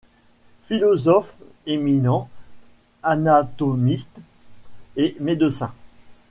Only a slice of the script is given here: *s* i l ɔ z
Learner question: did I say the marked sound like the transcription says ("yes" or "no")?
no